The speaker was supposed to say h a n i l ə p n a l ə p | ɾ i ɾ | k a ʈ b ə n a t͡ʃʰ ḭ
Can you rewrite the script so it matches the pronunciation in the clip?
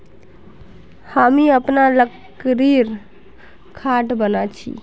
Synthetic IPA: h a m i ə p n a l ə k | ɾ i ɾ | kʰ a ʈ b ə n a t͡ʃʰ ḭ